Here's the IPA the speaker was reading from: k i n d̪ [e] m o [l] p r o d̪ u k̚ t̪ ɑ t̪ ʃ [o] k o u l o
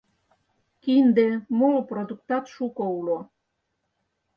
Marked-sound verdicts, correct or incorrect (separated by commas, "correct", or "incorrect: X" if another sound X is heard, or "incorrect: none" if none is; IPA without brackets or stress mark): correct, correct, incorrect: u